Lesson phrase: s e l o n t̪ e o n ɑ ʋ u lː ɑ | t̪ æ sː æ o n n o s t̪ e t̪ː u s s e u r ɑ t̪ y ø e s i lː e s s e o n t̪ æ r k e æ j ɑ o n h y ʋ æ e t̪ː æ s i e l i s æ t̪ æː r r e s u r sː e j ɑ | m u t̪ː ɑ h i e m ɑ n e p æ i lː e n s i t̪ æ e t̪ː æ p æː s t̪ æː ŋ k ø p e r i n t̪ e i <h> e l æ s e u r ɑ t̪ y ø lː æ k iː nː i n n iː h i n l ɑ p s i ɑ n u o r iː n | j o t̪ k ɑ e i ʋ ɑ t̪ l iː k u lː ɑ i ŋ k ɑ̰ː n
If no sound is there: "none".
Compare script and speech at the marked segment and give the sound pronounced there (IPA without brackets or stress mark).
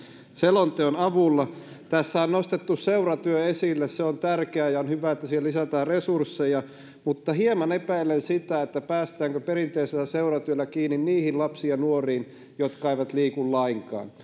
s